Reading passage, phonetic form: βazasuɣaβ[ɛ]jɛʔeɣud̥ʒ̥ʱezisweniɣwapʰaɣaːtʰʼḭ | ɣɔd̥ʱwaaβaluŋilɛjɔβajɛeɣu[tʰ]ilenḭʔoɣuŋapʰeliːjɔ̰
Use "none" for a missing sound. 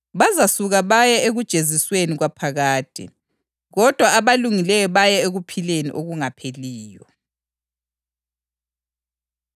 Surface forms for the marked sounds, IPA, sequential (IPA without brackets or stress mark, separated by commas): a, pʰ